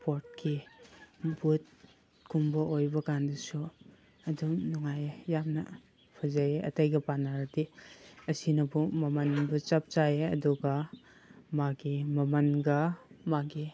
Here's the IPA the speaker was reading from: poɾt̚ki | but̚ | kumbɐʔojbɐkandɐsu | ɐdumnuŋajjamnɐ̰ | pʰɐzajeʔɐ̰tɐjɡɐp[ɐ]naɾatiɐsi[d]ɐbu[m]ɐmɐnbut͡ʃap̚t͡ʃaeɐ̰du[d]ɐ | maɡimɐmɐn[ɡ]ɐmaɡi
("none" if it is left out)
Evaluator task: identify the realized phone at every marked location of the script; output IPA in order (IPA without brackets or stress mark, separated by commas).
a, n, m, ɡ, ɡ